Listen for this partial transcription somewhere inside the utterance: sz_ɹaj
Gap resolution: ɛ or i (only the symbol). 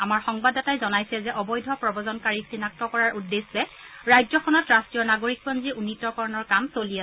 ɛ